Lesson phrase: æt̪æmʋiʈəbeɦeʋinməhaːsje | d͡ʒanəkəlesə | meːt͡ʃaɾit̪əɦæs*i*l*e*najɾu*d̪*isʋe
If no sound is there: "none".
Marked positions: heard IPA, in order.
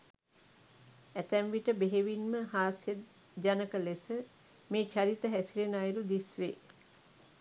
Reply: i, e, d̪

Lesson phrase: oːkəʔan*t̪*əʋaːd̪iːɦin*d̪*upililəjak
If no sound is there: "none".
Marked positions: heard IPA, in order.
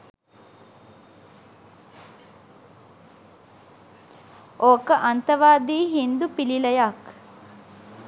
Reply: t̪, d̪

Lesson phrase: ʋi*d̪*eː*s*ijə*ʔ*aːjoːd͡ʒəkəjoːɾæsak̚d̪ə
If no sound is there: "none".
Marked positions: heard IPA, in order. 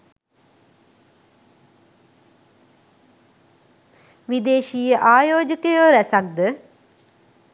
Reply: d̪, ʃ, ʔ

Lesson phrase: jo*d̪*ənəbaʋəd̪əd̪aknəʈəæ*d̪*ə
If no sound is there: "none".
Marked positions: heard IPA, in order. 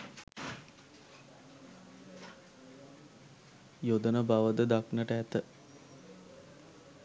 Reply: d̪, t̪

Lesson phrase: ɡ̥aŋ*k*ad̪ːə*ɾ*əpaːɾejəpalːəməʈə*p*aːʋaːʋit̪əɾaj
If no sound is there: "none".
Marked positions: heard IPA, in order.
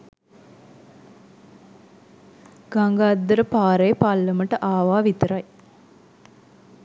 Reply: ɡ, ɾ, ʔ

